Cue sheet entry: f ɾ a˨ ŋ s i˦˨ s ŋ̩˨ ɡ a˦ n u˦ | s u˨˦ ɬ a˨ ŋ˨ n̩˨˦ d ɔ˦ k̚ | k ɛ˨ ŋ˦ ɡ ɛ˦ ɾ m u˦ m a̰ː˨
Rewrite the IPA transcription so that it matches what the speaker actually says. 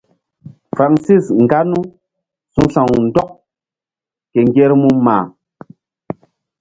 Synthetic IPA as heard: f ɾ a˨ ŋ s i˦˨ s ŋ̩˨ ɡ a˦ n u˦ | s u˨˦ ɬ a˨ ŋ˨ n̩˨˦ d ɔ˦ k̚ | k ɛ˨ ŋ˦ ɡ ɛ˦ ɾ m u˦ m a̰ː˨